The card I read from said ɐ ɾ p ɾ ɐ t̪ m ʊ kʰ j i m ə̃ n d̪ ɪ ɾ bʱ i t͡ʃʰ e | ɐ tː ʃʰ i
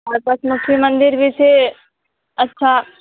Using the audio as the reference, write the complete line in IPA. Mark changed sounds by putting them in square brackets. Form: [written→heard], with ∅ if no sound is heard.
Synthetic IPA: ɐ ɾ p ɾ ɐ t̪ m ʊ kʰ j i m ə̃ n d̪ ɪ ɾ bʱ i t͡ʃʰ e | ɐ tː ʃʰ [i→a]